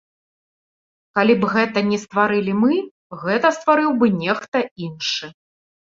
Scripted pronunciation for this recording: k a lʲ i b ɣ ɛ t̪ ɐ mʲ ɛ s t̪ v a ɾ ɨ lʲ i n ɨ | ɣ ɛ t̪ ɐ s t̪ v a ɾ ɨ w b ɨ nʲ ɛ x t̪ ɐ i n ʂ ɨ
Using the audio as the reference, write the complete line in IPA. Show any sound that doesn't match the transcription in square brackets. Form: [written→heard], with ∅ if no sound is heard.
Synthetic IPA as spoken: k a lʲ i b ɣ ɛ t̪ ɐ [mʲ→nʲ] ɛ s t̪ v a ɾ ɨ lʲ i [n→m] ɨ | ɣ ɛ t̪ ɐ s t̪ v a ɾ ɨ w b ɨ nʲ ɛ x t̪ ɐ i n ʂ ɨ